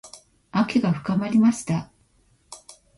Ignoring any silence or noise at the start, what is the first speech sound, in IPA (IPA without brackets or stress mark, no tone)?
a